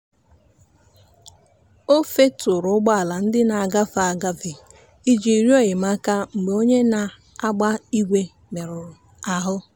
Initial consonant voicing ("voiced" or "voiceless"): voiceless